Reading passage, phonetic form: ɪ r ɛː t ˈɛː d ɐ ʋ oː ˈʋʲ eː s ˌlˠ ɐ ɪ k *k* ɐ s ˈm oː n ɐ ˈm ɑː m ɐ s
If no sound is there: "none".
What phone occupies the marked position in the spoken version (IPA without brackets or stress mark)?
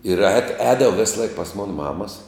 p